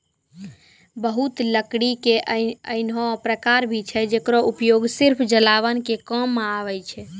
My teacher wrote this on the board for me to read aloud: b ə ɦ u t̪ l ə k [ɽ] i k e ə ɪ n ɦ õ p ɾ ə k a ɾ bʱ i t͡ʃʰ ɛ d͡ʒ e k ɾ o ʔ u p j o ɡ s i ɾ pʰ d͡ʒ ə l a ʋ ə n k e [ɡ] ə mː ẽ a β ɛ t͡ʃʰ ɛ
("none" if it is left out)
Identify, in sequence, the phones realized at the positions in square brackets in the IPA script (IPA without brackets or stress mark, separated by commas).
ɽ, k